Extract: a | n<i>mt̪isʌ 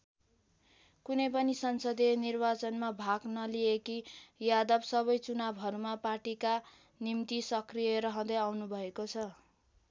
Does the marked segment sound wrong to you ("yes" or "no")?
no